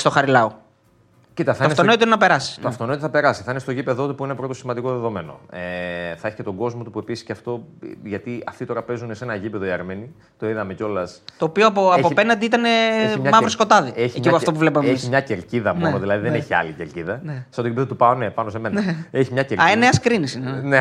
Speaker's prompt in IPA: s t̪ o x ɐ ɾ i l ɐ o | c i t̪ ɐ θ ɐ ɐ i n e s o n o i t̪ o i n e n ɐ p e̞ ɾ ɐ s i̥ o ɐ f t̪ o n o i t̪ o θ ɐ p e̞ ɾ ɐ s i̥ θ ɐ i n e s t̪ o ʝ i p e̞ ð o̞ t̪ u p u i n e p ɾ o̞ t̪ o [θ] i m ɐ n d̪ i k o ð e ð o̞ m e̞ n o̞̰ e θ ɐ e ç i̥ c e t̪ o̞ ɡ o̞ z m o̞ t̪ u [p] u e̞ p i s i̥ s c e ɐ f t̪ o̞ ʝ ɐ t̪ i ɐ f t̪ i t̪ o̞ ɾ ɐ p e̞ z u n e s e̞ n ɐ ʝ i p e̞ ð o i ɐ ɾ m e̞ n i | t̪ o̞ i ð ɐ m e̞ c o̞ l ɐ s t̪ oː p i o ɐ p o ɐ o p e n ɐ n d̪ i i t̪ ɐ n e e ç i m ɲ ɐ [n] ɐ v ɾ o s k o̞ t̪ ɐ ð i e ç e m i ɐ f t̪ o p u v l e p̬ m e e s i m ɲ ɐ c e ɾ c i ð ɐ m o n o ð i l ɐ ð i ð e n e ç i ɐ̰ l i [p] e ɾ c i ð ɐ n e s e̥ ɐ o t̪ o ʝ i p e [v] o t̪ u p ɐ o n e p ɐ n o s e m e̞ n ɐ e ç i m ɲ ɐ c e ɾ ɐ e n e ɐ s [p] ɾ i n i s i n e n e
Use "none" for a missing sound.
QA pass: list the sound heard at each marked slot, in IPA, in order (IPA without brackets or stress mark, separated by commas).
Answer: s, p, m, c, ð, k